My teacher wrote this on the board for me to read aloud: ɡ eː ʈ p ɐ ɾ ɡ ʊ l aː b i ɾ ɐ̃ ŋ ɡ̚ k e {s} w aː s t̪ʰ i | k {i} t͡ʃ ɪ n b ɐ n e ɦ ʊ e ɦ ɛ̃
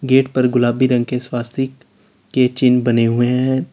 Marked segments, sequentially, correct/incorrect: correct, incorrect: e

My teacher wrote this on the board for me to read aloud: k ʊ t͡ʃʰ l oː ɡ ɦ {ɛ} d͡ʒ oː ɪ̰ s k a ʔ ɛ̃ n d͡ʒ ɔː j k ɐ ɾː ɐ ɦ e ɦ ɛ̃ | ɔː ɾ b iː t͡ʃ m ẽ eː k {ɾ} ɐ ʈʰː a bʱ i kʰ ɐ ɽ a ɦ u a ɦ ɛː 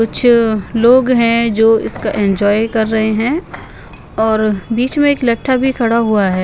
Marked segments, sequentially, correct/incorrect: incorrect: ɛ̃, incorrect: l

